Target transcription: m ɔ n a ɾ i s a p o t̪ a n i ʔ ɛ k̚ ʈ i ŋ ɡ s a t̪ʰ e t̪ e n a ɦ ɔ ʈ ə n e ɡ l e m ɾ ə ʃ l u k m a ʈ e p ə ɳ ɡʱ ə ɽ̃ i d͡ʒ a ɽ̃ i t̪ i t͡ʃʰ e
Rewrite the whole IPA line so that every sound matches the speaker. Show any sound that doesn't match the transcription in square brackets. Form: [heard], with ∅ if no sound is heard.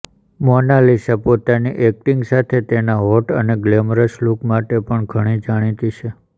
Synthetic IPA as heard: m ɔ n a [l] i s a p o t̪ a n i ʔ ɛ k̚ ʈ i ŋ ɡ s a t̪ʰ e t̪ e n a ɦ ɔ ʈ ə n e ɡ l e m ɾ ə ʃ l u k m a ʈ e p ə ɳ ɡʱ ə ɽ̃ i d͡ʒ a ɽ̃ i t̪ i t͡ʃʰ e